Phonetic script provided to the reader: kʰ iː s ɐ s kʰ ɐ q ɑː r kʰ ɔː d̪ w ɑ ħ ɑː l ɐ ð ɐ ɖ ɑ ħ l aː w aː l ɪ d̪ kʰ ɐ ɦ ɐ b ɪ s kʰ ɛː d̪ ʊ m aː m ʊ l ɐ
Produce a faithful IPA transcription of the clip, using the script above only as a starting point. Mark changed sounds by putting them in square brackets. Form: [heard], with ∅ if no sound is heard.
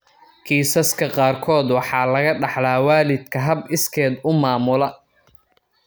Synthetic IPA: kʰ iː s ɐ s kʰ ɐ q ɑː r kʰ ɔː d̪ w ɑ ħ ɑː l ɐ [ɣ] ɐ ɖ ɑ ħ l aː w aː l ɪ d̪ kʰ ɐ ɦ ɐ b ɪ s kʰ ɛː d̪ ʊ m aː m ʊ l ɐ